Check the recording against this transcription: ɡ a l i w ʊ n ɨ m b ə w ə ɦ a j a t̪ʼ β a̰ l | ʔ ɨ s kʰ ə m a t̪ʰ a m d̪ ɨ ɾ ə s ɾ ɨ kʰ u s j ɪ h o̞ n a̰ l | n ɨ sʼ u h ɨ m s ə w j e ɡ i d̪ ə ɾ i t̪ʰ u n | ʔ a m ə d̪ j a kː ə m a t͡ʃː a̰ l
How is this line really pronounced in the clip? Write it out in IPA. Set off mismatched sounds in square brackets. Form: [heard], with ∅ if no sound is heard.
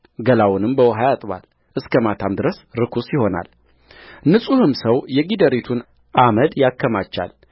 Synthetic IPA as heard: ɡ [ə] l [a] w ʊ n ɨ m b ə w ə ɦ a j a t̪ʼ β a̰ l | ʔ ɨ s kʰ ə m a t̪ʰ a m d̪ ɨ ɾ ə s ɾ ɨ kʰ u s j ɪ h o̞ n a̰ l | n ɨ sʼ u h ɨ m s ə w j [ɛ] ɡ i d̪ ə ɾ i t̪ʰ u n | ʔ a m ə d̪ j a kː ə m a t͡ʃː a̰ l